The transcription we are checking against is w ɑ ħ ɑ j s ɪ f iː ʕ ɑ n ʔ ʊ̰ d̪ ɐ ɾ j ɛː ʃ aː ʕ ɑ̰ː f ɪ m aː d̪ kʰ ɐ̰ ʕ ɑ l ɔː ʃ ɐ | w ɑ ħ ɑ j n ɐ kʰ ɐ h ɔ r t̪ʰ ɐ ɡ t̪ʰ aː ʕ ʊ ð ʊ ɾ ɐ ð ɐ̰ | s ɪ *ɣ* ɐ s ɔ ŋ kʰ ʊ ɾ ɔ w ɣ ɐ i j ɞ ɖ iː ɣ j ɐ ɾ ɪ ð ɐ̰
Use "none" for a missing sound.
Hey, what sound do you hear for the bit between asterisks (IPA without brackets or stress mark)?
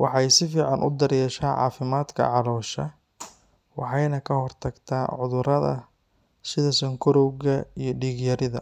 ð